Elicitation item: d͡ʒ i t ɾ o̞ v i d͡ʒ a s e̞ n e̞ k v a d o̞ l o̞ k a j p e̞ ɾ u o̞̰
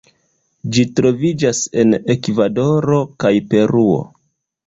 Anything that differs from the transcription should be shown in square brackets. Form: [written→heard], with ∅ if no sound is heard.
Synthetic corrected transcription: d͡ʒ i t ɾ o̞ v i d͡ʒ a s e̞ n e̞ k v a d o̞ [l→ɾ] o̞ k a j p e̞ ɾ u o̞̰

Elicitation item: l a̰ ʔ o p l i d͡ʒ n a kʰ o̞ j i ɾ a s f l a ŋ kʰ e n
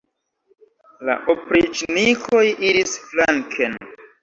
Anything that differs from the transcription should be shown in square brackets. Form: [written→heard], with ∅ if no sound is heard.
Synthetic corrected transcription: l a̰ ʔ o p [l→ɾ] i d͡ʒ n [a→i] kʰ o̞ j i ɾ [a→i] s f l a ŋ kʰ e n

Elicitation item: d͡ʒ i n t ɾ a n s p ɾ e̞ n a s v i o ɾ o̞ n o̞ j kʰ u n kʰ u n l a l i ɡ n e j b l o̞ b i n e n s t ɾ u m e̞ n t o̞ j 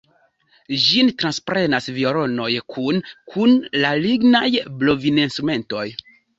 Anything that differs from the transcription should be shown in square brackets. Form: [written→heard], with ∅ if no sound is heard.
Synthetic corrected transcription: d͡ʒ i n t ɾ a n s p ɾ e̞ n a s v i o ɾ o̞ n o̞ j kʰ u n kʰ u n l a l i ɡ n [e→a] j b l o̞ [b→v] i n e n s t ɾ u m e̞ n t o̞ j

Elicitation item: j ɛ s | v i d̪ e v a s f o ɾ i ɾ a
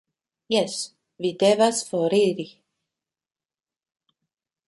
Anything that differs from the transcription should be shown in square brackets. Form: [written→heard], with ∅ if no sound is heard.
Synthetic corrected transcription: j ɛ s | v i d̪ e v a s f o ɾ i ɾ [a→i]

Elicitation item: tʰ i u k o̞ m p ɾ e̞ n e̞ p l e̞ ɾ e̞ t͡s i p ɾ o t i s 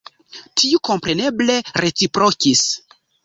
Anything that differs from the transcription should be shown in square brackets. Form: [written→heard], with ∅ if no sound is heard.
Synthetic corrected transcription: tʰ i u k o̞ m p ɾ e̞ n e̞ [p→b] l e̞ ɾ e̞ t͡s i p ɾ o [t→k] i s

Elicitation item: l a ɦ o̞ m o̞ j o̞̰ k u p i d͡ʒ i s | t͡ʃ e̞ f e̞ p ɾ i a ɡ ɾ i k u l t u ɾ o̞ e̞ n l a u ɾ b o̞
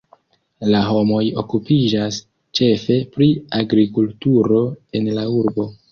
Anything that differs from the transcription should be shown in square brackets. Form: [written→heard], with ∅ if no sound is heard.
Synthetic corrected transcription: l a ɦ o̞ m o̞ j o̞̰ k u p i d͡ʒ [i→a] s | t͡ʃ e̞ f e̞ p ɾ i a ɡ ɾ i k u l t u ɾ o̞ e̞ n l a u ɾ b o̞

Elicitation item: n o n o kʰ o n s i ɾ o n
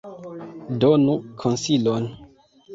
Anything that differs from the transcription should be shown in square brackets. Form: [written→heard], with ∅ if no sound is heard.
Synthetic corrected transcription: [n→d] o n [o→u] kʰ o n s i [ɾ→l] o n

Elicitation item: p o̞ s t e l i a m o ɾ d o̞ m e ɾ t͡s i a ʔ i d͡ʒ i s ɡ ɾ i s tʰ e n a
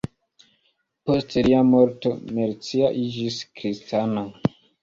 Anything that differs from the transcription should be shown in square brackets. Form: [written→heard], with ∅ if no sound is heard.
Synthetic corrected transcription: p o̞ s t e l i a m o ɾ [d→t] o̞ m e ɾ t͡s i a ʔ i d͡ʒ i s [ɡ→k] ɾ i s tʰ [e→a] n a

